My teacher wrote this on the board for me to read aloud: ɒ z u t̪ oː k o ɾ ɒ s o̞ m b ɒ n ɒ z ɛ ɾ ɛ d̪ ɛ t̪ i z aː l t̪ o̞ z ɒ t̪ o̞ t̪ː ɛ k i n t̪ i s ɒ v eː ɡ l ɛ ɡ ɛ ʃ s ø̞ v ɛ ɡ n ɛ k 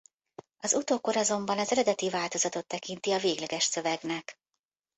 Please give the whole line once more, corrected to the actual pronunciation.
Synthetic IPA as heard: ɒ z u t̪ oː k o ɾ ɒ z o̞ m b ɒ n ɒ z ɛ ɾ ɛ d̪ ɛ t̪ i v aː l t̪ o̞ z ɒ t̪ o̞ t̪ː ɛ k i n t̪ i ɒ v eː ɡ l ɛ ɡ ɛ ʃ s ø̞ v ɛ ɡ n ɛ k